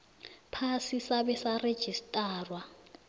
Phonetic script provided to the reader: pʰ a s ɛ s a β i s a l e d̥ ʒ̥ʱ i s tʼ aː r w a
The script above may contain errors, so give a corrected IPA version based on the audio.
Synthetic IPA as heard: pʰ a s i s a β ɛ s a r e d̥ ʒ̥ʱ i s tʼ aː r w a

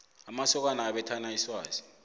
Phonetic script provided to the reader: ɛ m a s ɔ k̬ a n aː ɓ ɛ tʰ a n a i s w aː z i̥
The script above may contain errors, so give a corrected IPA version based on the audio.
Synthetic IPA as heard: a m a s ɔ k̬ a n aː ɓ ɛ tʰ a n a i s w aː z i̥

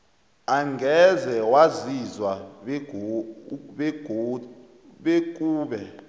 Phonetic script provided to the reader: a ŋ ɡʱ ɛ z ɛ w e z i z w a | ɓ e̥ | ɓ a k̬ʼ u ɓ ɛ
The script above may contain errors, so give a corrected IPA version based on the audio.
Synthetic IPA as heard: a ŋ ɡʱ ɛ z ɛ w a z i z w a | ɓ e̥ | ɓ e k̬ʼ uː ɓ ɛ

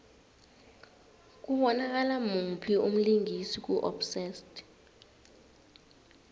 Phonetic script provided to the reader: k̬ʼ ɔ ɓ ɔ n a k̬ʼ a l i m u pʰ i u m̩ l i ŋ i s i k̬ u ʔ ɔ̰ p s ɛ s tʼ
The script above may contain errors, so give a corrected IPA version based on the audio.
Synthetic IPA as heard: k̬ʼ u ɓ ɔ n a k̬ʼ a l a m u pʰ i u m̩ l i ŋ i s i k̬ u ʔ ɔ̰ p s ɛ s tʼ

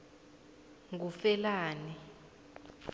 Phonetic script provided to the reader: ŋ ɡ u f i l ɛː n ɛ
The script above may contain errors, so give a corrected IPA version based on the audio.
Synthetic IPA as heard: ŋ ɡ u f ɛ l aː n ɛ

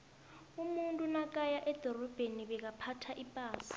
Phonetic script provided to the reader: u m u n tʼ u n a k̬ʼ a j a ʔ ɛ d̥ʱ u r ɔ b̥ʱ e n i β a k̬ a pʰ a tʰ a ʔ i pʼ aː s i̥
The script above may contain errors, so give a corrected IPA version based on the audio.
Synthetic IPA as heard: u m u n tʼ u n a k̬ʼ a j a ʔ ɛ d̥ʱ ɔ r ɔ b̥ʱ e n i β ɛ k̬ a pʰ a tʰ a ʔ i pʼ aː s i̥

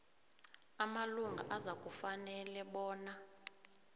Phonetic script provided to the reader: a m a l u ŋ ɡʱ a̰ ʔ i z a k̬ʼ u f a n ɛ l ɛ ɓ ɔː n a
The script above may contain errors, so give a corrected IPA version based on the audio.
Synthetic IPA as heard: a m a l u ŋ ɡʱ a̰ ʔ a z a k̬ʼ u f a n ɛ l ɛ ɓ ɔː n a

